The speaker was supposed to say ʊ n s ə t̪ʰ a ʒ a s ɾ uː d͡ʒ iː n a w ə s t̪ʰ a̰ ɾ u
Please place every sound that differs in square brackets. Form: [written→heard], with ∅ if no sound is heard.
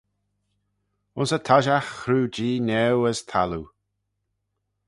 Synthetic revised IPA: ʊ n s ə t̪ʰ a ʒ a [s→x] ɾ uː d͡ʒ iː n [a→ɛ] w ə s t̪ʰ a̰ [ɾ→l] u